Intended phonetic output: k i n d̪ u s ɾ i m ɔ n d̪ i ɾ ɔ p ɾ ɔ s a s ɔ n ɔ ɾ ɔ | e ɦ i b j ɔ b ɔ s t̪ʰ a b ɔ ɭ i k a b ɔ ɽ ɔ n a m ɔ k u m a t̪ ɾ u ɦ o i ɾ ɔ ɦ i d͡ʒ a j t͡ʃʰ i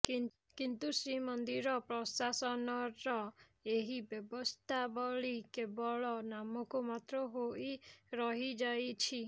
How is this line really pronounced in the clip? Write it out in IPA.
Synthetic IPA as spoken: k i n t̪ u s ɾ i m ɔ n d̪ i ɾ ɔ p ɾ ɔ s a s ɔ n ɔ ɾ ɔ | e ɦ i b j ɔ b ɔ s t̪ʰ a b ɔ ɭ i k e b ɔ ɭ ɔ n a m ɔ k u m a t̪ ɾ ɔ ɦ o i ɾ ɔ ɦ i d͡ʒ a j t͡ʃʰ i